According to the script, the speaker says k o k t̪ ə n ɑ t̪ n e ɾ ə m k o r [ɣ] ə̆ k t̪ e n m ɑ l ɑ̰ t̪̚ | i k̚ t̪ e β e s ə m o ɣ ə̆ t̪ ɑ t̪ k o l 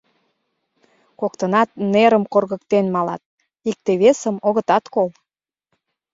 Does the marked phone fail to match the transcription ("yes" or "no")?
no